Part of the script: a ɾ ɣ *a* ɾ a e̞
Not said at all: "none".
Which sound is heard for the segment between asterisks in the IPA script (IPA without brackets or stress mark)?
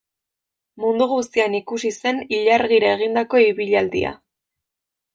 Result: i